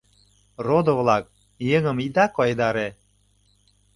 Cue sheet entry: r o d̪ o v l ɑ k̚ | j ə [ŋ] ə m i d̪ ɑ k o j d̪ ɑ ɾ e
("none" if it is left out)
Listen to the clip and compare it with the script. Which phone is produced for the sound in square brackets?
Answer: ŋ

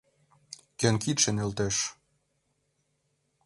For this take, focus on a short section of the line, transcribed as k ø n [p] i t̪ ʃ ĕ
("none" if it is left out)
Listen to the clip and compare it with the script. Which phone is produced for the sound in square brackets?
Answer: k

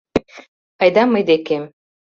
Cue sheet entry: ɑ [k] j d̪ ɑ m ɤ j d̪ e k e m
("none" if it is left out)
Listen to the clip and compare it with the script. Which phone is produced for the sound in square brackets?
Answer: none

